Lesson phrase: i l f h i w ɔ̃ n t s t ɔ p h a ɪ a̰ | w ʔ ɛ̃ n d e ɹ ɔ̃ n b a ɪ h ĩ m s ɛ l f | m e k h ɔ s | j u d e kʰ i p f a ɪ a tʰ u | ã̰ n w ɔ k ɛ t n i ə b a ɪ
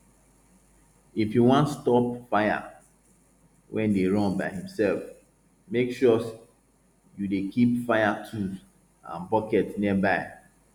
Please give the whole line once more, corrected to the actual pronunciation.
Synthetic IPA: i f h i w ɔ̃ n t s t ɔ p f a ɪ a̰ | w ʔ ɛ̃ n d e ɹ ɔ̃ n b a ɪ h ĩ m s ɛ l f | m e k ʃ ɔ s | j u d e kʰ i p f a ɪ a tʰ u | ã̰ n b ɔ k ɛ t n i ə b a ɪ